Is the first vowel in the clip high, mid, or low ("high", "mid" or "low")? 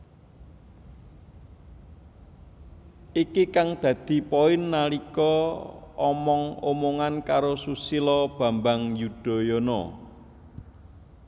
high